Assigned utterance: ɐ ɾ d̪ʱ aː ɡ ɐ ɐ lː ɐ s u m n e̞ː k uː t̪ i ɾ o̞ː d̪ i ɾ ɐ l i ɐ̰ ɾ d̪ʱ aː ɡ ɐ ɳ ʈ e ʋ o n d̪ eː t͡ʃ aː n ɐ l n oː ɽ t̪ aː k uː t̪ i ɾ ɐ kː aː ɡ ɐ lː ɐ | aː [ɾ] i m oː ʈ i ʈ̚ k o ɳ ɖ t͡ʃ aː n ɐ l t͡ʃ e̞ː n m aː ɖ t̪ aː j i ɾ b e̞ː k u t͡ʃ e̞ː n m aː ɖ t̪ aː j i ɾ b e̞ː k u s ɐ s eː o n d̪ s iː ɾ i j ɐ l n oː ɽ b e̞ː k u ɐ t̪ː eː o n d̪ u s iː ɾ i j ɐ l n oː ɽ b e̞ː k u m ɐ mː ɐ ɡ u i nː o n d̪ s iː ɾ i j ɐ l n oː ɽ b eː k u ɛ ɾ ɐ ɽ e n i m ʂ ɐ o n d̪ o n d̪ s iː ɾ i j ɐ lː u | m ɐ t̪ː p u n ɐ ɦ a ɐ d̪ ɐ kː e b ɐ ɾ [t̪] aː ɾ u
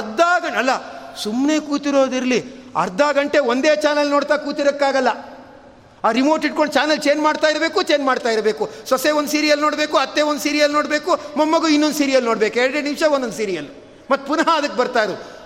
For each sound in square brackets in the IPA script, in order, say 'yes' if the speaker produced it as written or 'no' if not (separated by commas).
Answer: yes, yes